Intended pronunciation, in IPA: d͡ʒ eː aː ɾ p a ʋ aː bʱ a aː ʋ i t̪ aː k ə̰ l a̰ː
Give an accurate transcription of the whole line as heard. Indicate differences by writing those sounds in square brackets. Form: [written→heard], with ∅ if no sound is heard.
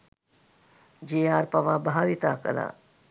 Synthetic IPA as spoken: d͡ʒ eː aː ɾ p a ʋ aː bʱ a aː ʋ i t̪ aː k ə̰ l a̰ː